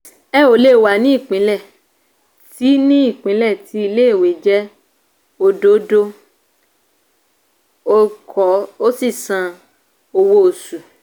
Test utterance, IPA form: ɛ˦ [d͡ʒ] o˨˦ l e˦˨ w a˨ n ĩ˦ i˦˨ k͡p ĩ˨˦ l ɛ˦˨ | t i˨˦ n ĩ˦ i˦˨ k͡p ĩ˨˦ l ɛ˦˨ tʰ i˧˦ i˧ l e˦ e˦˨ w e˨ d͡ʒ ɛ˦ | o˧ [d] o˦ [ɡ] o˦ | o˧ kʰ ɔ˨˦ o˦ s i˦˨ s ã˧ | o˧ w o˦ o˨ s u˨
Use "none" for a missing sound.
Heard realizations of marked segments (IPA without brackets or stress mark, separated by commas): none, d, d